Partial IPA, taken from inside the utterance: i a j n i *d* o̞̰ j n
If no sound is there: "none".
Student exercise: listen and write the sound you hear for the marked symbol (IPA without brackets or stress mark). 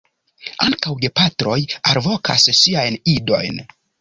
d